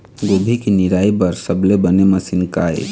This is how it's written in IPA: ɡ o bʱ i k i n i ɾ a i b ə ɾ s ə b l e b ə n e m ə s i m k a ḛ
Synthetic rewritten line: ɡ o bʱ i k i n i ɾ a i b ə ɾ s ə b l e b ə n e m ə s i n k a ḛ